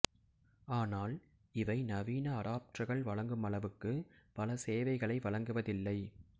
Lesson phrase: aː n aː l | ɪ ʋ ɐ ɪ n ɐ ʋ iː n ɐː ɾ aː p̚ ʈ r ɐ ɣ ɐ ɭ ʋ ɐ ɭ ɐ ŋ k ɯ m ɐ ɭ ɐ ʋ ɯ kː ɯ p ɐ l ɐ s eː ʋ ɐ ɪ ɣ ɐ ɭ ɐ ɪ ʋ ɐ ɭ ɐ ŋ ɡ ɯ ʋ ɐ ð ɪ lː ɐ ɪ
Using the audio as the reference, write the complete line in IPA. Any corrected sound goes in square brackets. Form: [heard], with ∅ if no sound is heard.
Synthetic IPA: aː n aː l | ɪ ʋ ɐ ɪ n ɐ ʋ iː n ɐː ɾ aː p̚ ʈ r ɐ ɣ ɐ ɭ ʋ ɐ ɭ ɐ ŋ [ɡ] ɯ m ɐ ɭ ɐ ʋ ɯ kː ɯ p ɐ l ɐ s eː ʋ ɐ ɪ ɣ ɐ ɭ ɐ ɪ ʋ ɐ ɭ ɐ ŋ ɡ ɯ ʋ ɐ ð ɪ lː ɐ ɪ

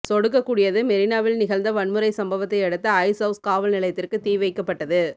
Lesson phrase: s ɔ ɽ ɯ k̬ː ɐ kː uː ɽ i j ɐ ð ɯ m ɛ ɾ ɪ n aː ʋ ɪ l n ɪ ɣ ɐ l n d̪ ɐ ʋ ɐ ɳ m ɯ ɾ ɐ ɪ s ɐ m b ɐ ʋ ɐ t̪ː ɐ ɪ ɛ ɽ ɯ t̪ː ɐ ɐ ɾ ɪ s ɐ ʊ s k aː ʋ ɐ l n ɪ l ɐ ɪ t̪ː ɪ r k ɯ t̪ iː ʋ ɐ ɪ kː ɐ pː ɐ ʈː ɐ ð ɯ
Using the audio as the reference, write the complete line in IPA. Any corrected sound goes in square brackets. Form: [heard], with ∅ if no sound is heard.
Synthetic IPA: s ɔ ɽ ɯ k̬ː ɐ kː uː ɽ [ɪ] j ɐ ð ɯ m ɛ ɾ ɪ n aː ʋ ɪ l n ɪ ɣ ɐ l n d̪ ɐ ʋ ɐ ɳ m ɯ ɾ ɐ ɪ s ɐ m b ɐ ʋ ɐ t̪ː ɐ ɪ ɛ ɽ ɯ t̪ː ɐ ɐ [∅] ɪ s ɐ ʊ s k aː ʋ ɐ l n ɪ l ɐ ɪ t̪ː ɪ r k ɯ t̪ iː ʋ ɐ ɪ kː ɐ pː ɐ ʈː ɐ ð ɯ

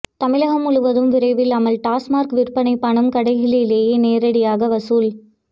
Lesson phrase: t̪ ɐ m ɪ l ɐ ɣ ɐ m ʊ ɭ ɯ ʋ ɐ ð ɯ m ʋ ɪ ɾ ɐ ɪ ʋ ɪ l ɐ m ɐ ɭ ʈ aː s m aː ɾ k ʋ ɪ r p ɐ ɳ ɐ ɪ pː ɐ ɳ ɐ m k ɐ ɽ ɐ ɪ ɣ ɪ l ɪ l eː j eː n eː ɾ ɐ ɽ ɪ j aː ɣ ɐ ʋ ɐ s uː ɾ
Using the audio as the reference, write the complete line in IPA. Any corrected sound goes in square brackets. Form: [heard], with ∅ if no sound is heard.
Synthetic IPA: t̪ ɐ m ɪ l ɐ ɣ ɐ m ʊ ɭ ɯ ʋ ɐ ð ɯ m ʋ ɪ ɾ ɐ ɪ ʋ ɪ l ɐ m ɐ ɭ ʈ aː s m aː ɾ k ʋ ɪ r p ɐ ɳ ɐ ɪ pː ɐ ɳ ɐ m k ɐ ɽ ɐ ɪ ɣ ɪ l ɪ l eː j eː n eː ɾ ɐ ɽ ɪ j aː ɣ ɐ ʋ ɐ s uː [l]

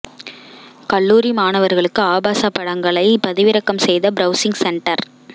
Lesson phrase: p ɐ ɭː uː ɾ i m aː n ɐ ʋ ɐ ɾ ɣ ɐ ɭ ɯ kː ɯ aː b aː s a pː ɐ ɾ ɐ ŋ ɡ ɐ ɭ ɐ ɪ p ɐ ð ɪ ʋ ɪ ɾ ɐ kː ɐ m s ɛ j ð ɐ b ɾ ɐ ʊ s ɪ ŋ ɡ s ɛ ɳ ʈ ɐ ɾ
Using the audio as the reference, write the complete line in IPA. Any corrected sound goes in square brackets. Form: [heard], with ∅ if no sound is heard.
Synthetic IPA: [k] ɐ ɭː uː ɾ i m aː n ɐ ʋ ɐ ɾ ɣ ɐ ɭ ɯ kː ɯ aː b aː s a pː ɐ [ɽ] ɐ ŋ ɡ ɐ ɭ ɐ ɪ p ɐ ð ɪ ʋ ɪ ɾ ɐ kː ɐ m s ɛ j ð ɐ b ɾ ɐ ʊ s ɪ ŋ ɡ s ɛ ɳ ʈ ɐ ɾ

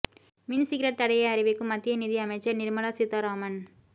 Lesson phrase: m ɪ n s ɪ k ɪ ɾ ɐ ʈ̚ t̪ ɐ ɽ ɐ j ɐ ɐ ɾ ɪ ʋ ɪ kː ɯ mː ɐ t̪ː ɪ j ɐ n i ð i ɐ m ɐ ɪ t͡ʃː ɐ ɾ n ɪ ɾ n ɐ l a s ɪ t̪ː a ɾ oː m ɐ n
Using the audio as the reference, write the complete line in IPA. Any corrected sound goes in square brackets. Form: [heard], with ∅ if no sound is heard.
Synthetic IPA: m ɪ n s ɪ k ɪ ɾ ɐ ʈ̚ t̪ ɐ ɽ ɐ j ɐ ɐ ɾ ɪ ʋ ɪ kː ɯ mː ɐ t̪ː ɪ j ɐ n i ð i ɐ m ɐ ɪ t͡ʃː ɐ ɾ n ɪ ɾ [m] ɐ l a s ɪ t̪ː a ɾ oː m ɐ n

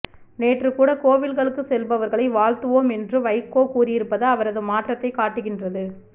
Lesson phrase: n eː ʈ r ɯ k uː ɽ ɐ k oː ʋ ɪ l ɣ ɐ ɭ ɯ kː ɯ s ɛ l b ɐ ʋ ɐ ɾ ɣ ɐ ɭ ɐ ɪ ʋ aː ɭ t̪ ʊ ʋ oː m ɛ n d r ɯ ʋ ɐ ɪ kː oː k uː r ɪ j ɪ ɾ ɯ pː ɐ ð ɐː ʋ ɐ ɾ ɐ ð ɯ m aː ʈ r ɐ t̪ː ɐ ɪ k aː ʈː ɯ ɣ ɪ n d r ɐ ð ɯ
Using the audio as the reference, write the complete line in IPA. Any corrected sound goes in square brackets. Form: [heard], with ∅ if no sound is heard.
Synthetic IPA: n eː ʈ r ɯ k uː ɽ ɐ k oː ʋ ɪ l ɣ ɐ ɭ ɯ kː ɯ s ɛ l b ɐ ʋ ɐ ɾ ɣ ɐ ɭ ɐ ɪ ʋ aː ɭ t̪ [ɯ] ʋ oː m ɛ n d r ɯ ʋ ɐ ɪ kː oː k uː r ɪ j ɪ ɾ ɯ pː ɐ ð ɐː ʋ ɐ ɾ ɐ ð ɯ m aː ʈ r ɐ t̪ː ɐ ɪ k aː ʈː ɯ ɣ ɪ n d r ɐ ð ɯ

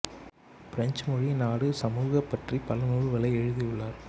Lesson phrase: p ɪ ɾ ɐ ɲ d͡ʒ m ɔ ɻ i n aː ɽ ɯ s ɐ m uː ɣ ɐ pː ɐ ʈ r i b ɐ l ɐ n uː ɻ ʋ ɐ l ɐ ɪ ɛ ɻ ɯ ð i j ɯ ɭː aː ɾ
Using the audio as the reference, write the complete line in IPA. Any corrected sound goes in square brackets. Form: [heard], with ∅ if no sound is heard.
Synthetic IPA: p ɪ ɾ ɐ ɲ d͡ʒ m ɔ ɻ i n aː ɽ ɯ s ɐ m uː ɣ ɐ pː ɐ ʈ r i [p] ɐ l ɐ n uː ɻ ʋ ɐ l ɐ ɪ ɛ ɻ ɯ ð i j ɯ ɭː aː ɾ

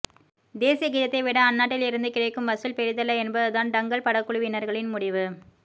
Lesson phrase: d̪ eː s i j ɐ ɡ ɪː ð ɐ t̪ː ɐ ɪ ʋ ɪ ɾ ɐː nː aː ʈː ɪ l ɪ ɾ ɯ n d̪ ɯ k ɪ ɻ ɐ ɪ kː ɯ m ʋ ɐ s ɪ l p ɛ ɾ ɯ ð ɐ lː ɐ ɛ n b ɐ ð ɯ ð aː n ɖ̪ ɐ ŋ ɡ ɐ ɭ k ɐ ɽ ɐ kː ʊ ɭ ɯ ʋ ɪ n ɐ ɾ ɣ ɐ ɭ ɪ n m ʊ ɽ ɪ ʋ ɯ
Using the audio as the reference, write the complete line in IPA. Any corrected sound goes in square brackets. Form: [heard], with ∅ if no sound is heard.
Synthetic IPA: d̪ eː s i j ɐ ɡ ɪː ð ɐ t̪ː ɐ ɪ ʋ ɪ [ɽ] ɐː nː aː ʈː ɪ l ɪ ɾ ɯ n d̪ ɯ k ɪ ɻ ɐ ɪ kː ɯ m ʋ ɐ s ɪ l p ɛ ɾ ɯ ð ɐ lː ɐ ɛ n b ɐ ð ɯ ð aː n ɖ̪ ɐ ŋ ɡ ɐ ɭ [p] ɐ ɽ ɐ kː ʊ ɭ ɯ ʋ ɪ n ɐ ɾ ɣ ɐ ɭ ɪ n m ʊ ɽ ɪ ʋ ɯ

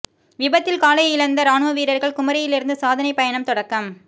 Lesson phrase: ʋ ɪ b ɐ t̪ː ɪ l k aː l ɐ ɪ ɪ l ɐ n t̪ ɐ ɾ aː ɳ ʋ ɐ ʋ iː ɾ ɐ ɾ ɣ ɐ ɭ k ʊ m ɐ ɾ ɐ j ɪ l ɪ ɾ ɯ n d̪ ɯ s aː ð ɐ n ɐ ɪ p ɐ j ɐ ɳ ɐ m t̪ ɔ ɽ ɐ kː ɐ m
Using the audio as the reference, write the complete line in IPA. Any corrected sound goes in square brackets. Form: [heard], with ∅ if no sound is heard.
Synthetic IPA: ʋ ɪ b ɐ t̪ː ɪ l k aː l ɐ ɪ ɪ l ɐ n [d̪] ɐ ɾ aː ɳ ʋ ɐ ʋ iː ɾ ɐ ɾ ɣ ɐ ɭ k ʊ m ɐ ɾ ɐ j ɪ l ɪ ɾ ɯ n d̪ ɯ s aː ð ɐ n ɐ ɪ p ɐ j ɐ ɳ ɐ m t̪ ɔ ɽ ɐ kː ɐ m

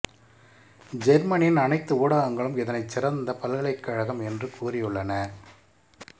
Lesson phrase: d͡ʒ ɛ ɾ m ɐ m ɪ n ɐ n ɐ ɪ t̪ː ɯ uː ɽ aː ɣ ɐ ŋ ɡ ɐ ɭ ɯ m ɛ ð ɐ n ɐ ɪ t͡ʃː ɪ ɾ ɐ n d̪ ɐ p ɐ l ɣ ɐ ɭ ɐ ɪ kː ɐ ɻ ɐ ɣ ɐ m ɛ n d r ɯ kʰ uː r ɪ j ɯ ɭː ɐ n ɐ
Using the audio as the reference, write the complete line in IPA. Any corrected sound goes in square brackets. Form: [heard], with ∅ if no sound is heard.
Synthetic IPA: d͡ʒ ɛ ɾ m ɐ [n] ɪ n ɐ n ɐ ɪ t̪ː ɯ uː ɽ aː ɣ ɐ ŋ ɡ ɐ ɭ ɯ m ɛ ð ɐ n ɐ ɪ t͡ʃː ɪ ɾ ɐ n d̪ ɐ p ɐ l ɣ ɐ ɭ ɐ ɪ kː ɐ ɻ ɐ ɣ ɐ m ɛ n d r ɯ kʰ uː r ɪ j ɯ ɭː ɐ n ɐ

